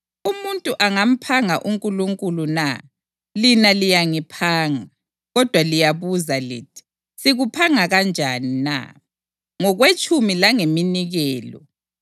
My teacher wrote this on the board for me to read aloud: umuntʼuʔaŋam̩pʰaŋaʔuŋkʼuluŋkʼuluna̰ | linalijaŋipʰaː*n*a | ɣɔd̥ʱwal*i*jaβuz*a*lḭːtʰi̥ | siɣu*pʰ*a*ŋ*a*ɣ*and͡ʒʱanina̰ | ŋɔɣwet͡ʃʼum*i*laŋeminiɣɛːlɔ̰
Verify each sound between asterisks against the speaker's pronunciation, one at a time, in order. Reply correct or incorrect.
incorrect: ŋ, correct, correct, correct, correct, correct, correct

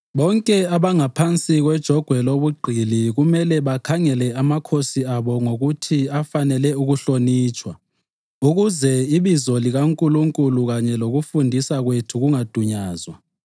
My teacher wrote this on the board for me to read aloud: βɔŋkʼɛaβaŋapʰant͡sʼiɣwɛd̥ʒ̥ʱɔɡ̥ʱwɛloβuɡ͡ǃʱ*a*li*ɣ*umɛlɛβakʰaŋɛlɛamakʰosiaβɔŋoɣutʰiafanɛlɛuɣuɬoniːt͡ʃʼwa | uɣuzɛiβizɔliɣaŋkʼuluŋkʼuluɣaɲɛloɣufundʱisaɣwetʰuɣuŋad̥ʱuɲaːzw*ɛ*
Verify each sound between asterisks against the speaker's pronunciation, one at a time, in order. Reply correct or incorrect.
incorrect: i, correct, incorrect: a

